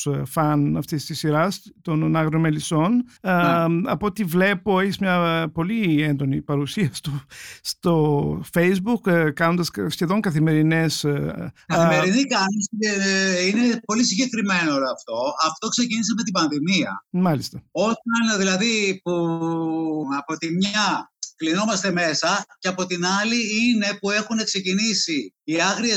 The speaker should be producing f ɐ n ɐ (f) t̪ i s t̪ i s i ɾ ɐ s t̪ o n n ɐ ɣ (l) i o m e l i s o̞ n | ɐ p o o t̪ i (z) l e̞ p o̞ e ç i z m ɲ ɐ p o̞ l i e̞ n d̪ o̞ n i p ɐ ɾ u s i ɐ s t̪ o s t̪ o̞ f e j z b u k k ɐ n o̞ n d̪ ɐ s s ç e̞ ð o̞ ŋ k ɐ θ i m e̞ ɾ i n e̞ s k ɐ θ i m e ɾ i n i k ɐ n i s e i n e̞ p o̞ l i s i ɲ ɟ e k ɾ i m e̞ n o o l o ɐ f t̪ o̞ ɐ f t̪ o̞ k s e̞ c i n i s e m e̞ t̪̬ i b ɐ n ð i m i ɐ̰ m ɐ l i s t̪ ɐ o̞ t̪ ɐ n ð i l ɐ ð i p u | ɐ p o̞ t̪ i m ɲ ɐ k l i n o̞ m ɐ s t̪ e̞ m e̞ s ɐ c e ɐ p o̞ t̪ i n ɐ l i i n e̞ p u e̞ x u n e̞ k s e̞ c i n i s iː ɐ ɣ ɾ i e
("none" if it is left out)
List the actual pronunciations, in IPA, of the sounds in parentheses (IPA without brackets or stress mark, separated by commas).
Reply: f, ɾ, v